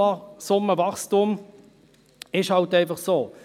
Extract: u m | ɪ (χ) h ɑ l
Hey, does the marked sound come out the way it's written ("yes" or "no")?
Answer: no